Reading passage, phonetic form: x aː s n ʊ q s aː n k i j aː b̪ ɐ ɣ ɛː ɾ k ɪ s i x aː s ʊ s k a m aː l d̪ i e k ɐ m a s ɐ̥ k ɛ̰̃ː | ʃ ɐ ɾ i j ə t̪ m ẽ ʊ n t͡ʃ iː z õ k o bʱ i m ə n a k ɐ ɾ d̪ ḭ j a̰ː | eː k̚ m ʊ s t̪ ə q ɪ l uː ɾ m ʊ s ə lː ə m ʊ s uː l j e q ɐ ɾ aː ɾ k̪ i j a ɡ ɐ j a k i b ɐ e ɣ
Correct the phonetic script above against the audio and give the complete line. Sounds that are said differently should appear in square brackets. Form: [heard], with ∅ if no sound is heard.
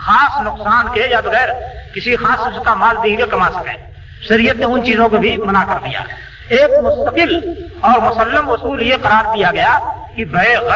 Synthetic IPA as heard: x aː s n ʊ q s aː n k [e] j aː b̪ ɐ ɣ ɛː ɾ k ɪ s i x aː s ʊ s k a m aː l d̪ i e k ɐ m a s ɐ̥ k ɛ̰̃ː | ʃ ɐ ɾ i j ə t̪ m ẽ ʊ n t͡ʃ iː z õ k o bʱ i m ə n a k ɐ ɾ d̪ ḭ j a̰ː | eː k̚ m ʊ s t̪ ə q ɪ l [ɔː] ɾ m ʊ s ə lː ə m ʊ s uː l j e q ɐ ɾ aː ɾ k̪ i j a ɡ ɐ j a k i b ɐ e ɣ